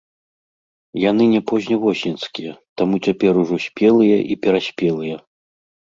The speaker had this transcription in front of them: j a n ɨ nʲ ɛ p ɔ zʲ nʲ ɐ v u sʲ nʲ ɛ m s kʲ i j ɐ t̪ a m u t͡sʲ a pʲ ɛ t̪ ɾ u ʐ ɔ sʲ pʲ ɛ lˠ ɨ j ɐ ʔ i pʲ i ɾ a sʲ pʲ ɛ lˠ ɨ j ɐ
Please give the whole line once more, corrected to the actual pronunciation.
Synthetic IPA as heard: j a n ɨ nʲ ɛ p ɔ zʲ nʲ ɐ v ɔ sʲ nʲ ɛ n s kʲ i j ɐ t̪ a m u t͡sʲ a pʲ ɛ ɾ u ʐ ɔ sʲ pʲ ɛ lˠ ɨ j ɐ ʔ i pʲ ɛ ɾ a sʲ pʲ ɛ lˠ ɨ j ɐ